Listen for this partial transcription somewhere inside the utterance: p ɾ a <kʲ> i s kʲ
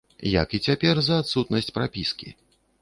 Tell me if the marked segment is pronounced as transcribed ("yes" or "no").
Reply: no